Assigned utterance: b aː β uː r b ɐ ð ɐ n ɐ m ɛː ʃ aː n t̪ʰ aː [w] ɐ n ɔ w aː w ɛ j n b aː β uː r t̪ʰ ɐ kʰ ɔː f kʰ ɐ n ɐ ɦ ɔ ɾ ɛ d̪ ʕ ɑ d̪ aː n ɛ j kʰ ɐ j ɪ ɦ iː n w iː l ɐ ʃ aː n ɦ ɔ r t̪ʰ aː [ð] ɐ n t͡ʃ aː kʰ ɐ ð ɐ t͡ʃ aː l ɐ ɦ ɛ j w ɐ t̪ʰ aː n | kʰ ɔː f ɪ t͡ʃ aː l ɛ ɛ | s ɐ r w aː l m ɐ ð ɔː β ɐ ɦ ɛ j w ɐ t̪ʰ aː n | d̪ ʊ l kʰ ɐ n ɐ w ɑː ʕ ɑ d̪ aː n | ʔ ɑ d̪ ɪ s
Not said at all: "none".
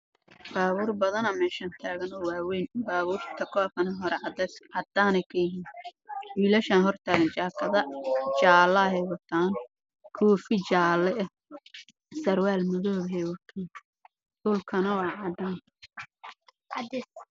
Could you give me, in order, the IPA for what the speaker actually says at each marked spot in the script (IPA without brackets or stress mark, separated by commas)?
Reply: ɣ, ɣ